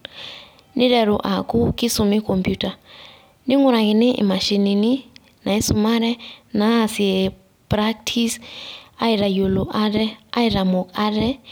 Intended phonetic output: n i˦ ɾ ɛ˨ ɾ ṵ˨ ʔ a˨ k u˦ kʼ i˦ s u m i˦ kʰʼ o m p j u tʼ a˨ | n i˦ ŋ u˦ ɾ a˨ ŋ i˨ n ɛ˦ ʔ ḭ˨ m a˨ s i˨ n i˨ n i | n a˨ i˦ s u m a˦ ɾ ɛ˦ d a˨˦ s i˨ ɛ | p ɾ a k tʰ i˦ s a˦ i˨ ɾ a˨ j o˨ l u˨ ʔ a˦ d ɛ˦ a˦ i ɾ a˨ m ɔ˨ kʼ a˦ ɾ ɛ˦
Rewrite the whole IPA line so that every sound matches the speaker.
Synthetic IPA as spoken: n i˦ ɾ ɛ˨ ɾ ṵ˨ ʔ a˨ k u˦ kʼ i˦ s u m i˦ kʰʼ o m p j u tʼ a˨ | n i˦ ŋ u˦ ɾ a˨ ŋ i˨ n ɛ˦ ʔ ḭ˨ m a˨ ʃ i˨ n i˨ n i | n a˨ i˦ s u m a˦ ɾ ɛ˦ n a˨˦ s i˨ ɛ | p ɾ a k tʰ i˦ s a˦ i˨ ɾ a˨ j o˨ l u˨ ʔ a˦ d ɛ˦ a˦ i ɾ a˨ m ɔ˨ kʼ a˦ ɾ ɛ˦